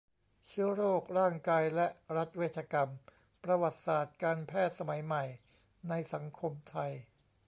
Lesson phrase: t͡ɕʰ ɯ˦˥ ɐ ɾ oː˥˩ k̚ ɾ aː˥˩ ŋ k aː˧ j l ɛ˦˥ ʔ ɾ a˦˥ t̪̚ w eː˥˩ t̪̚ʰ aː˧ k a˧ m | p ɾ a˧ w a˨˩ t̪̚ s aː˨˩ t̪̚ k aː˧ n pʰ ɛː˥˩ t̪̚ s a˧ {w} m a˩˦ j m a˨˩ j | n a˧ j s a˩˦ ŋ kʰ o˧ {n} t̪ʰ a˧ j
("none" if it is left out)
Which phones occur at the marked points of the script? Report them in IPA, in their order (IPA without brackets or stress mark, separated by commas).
none, m